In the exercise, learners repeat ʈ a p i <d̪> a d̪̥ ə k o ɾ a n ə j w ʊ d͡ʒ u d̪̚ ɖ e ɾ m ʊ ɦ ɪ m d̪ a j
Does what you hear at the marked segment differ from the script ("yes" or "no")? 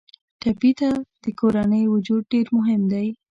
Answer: yes